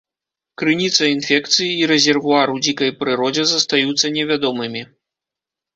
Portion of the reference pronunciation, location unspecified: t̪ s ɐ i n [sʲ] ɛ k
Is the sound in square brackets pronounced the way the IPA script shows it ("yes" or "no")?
no